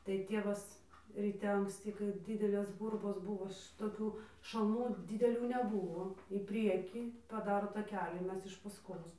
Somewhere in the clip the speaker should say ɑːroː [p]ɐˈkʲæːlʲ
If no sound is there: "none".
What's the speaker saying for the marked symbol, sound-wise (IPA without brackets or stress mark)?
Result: t